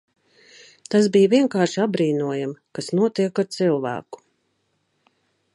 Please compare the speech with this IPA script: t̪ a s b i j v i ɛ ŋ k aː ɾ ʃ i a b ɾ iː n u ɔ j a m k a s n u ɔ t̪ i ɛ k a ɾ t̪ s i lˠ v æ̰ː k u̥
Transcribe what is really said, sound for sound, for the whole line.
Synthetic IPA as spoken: t̪ a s b i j v i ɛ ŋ k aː ɾ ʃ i a b ɾ iː n u ɔ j a m k a s n u ɔ t̪ i ɛ k a ɾ t̪ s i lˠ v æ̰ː k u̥